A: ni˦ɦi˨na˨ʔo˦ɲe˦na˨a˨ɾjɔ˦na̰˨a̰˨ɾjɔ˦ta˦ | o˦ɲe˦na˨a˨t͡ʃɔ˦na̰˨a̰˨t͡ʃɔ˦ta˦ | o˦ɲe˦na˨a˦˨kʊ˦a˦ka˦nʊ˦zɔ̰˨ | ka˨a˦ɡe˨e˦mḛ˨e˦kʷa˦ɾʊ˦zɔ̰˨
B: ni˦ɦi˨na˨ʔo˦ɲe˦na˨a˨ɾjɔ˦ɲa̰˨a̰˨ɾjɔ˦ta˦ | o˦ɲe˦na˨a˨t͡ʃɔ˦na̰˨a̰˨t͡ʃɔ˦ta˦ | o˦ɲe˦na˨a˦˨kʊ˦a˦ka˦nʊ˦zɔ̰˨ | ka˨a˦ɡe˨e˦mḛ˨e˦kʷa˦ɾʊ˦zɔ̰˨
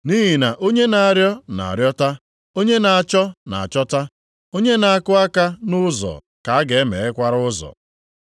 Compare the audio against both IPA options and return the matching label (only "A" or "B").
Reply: A